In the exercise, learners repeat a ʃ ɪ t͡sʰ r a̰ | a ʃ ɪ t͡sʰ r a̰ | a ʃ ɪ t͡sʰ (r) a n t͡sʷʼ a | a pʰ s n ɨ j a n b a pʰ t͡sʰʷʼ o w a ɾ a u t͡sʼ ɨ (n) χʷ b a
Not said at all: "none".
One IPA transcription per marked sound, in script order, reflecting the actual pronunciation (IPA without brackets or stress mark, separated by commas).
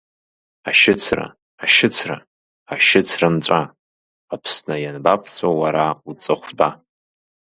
r, none